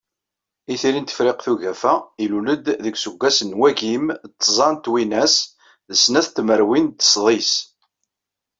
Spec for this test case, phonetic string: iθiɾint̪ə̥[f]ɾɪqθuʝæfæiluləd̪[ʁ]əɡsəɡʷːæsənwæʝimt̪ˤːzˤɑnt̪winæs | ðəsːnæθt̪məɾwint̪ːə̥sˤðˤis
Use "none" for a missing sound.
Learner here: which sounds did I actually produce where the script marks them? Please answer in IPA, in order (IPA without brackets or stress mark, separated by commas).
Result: f, ð